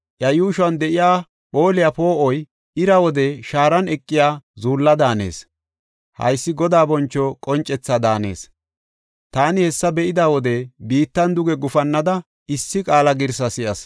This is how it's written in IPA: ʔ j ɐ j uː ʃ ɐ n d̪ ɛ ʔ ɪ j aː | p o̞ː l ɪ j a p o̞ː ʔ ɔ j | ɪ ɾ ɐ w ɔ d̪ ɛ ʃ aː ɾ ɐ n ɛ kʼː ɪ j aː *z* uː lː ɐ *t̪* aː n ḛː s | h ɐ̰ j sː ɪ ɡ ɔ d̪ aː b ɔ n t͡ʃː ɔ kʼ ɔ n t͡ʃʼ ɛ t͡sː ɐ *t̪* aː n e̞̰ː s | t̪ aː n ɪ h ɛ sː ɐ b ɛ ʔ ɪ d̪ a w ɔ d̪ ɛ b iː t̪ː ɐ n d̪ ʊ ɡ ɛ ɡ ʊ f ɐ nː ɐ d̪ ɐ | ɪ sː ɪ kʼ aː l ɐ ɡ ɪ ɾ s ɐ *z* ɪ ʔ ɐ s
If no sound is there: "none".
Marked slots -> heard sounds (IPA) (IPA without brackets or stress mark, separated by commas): z, d̪, d̪, s